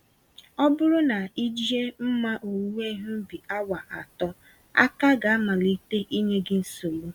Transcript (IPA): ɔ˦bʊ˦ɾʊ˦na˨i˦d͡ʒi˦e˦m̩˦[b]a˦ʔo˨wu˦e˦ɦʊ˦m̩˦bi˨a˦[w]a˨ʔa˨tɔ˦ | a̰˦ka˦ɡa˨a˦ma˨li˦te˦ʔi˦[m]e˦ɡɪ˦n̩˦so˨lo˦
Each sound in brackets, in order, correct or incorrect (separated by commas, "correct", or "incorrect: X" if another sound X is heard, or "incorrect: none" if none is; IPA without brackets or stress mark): incorrect: m, correct, incorrect: ɲ